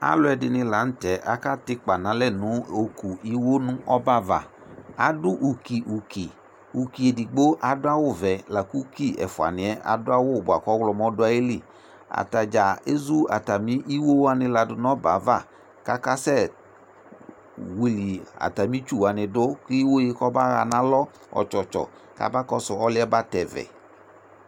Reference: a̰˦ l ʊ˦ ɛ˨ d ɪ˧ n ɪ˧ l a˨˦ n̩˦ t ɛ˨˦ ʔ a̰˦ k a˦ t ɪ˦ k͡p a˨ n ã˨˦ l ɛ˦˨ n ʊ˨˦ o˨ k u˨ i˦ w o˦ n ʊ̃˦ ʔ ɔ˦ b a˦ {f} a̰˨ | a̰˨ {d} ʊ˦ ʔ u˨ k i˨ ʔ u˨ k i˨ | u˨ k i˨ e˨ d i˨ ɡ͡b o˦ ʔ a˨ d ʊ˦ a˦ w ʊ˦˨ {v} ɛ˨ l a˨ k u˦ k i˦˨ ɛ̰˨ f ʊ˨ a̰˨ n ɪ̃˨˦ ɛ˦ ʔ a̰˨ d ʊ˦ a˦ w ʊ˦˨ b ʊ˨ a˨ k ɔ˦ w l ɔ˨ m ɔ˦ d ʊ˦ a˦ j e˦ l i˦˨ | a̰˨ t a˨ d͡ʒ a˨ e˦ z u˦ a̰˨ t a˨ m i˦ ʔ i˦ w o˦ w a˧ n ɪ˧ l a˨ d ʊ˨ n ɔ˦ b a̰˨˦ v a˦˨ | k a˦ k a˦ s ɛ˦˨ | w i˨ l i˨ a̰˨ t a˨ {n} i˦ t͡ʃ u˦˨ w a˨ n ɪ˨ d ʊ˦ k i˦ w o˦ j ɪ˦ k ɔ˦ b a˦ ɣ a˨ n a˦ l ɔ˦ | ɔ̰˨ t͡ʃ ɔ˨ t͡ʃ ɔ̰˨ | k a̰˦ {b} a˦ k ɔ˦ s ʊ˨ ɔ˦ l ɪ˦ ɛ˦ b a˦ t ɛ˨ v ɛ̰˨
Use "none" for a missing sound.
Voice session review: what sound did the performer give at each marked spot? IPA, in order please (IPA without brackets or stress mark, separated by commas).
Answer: v, d, v, m, b